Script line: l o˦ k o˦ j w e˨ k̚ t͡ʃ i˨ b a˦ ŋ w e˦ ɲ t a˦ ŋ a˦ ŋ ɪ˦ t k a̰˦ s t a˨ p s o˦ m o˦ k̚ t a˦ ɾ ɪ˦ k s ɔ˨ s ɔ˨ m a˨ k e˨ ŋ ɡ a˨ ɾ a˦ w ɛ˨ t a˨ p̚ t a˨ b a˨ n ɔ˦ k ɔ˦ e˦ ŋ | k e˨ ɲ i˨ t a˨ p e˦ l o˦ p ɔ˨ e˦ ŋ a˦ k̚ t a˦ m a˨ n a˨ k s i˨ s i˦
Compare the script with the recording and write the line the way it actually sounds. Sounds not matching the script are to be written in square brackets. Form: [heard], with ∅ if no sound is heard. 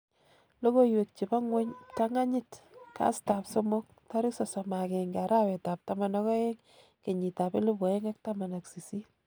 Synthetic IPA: l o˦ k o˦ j w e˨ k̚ t͡ʃ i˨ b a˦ ŋ w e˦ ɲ t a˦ ŋ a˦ [ɲ] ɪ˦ t k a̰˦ s t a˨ p s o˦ m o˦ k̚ t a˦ ɾ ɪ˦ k s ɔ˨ s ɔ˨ m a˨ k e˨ ŋ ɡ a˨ ɾ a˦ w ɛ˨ t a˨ p̚ t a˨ [m] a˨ n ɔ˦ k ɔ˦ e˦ ŋ | k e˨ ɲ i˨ t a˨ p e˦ l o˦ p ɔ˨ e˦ ŋ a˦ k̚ t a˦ m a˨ n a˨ k s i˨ s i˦